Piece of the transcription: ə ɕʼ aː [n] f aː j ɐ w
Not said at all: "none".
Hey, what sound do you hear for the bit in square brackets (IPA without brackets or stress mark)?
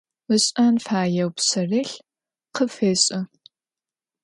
n